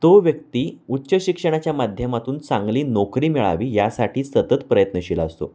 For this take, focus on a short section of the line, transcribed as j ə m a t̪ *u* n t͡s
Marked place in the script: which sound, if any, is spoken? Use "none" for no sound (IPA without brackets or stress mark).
uː